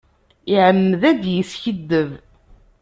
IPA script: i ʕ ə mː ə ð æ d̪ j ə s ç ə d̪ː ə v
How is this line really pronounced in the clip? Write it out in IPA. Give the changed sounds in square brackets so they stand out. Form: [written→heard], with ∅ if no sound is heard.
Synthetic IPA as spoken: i ʕ ə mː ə ð æ d̪ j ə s ç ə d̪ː ə v